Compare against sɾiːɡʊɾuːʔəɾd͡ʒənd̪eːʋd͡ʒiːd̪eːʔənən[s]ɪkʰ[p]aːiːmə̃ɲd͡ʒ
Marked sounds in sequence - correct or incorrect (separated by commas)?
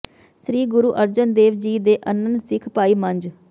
correct, correct